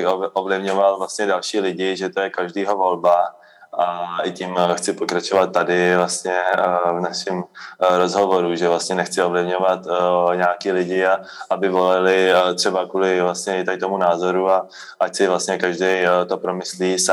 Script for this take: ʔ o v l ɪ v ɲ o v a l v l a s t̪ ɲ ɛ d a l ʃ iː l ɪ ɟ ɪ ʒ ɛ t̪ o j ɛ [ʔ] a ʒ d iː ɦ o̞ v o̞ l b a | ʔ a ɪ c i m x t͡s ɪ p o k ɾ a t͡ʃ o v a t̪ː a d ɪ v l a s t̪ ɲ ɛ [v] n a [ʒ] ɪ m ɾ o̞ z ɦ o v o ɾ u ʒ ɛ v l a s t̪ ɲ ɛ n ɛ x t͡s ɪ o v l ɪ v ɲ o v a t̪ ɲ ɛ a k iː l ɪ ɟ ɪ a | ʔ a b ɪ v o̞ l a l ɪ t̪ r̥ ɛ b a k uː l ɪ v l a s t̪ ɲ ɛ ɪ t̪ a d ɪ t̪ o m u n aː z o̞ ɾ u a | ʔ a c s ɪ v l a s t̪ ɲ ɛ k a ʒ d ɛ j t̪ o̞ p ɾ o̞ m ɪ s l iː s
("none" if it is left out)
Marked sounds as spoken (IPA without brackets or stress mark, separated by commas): k, v, ʃ